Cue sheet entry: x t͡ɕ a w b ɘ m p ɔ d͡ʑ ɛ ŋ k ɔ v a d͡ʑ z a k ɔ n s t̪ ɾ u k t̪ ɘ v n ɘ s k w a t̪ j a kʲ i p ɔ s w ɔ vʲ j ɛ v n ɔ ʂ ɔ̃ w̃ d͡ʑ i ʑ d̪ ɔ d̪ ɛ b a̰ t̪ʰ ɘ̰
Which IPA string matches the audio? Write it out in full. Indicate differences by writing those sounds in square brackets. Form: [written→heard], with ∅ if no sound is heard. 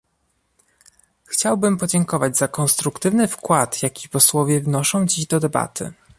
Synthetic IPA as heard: x t͡ɕ a w b ɘ m p ɔ d͡ʑ ɛ ŋ k ɔ v a d͡ʑ z a k ɔ n s t̪ ɾ u k t̪ ɘ v n ɘ [s→f] k w a t̪ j a kʲ i p ɔ s w ɔ vʲ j ɛ v n ɔ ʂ ɔ̃ w̃ d͡ʑ i ʑ d̪ ɔ d̪ ɛ b a̰ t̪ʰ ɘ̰